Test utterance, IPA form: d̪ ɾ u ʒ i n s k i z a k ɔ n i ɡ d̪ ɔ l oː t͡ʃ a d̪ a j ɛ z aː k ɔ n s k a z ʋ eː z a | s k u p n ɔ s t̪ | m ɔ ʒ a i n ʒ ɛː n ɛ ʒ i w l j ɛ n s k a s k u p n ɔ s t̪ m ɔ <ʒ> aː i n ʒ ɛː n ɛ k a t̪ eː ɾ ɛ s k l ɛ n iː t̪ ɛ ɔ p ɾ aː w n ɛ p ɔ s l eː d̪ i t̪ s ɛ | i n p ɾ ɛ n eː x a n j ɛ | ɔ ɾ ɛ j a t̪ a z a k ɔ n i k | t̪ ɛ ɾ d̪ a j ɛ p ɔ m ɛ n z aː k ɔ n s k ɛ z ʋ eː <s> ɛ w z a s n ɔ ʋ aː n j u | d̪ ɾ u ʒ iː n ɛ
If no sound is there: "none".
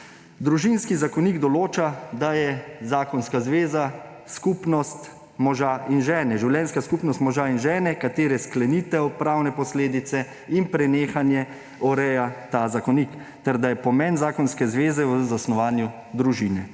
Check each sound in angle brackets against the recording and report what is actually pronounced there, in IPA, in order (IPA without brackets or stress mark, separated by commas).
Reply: ʒ, z